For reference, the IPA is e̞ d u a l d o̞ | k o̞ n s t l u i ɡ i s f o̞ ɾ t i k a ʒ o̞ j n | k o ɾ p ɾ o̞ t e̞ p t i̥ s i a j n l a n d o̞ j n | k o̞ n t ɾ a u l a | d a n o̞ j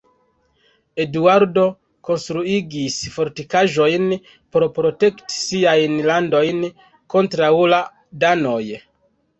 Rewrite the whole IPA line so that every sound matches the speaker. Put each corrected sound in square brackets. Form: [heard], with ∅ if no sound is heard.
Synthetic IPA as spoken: e̞ d u a [ɾ] d o̞ | k o̞ n s t [ɾ] u i ɡ i s f o̞ ɾ t i k a ʒ o̞ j n | [p] o ɾ p ɾ o̞ t e̞ [k] t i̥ s i a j n l a n d o̞ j n | k o̞ n t ɾ a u l a | d a n o̞ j